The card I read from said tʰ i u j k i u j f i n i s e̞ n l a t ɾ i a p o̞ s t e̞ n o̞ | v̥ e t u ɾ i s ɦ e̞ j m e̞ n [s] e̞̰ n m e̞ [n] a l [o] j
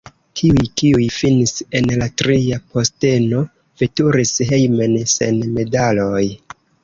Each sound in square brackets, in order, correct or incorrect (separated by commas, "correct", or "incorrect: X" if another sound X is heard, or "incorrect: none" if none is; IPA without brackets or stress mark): correct, incorrect: d, correct